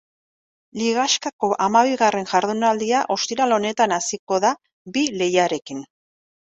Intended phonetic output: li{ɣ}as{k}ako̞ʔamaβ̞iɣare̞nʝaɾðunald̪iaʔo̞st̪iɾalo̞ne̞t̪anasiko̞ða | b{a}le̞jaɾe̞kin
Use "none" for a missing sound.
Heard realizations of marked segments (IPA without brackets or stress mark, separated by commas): ɣ, k, i